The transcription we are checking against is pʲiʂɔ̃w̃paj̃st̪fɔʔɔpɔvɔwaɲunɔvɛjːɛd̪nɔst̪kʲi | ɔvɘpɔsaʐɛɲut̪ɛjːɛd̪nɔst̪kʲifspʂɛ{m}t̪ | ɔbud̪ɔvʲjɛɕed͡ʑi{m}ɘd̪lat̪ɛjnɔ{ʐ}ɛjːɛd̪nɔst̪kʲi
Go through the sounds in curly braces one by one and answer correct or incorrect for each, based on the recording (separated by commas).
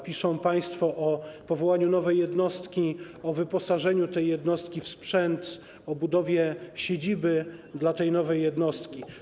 incorrect, incorrect, incorrect